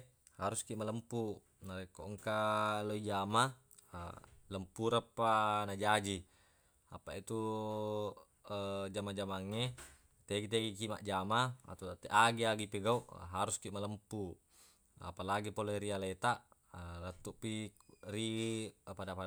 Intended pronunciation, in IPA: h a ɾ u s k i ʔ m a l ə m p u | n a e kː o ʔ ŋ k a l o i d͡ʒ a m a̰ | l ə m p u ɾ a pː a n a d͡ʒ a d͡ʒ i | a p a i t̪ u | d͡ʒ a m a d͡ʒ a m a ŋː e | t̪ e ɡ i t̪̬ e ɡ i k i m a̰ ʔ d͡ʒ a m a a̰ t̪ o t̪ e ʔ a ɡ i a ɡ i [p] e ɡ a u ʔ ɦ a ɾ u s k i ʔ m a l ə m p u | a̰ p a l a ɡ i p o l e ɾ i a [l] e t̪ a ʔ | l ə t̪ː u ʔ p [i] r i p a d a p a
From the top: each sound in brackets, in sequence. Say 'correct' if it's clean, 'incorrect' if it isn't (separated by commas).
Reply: correct, correct, correct